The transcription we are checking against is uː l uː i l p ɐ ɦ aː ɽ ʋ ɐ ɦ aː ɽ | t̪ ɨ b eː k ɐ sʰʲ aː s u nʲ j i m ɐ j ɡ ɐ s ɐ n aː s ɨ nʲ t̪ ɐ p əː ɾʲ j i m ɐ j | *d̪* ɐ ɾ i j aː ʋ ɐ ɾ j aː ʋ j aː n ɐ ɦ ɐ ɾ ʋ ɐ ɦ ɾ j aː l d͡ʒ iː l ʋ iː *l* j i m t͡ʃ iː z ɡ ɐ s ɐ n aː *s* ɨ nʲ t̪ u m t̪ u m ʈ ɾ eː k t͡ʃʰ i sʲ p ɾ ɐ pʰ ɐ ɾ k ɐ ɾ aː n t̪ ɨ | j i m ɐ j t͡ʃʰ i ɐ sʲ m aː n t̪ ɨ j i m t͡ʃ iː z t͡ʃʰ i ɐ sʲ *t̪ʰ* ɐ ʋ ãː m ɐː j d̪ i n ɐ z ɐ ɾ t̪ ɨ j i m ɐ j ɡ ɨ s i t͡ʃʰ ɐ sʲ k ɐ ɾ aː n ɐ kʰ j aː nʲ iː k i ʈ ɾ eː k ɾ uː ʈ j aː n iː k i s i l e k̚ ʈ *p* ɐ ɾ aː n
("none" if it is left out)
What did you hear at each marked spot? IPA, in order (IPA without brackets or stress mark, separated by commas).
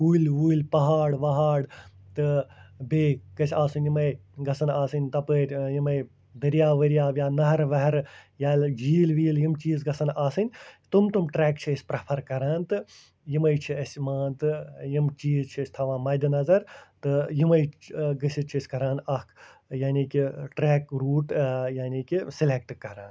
d̪, l, s, t̪ʰ, k